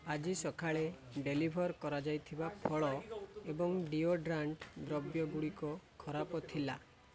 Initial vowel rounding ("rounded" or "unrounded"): unrounded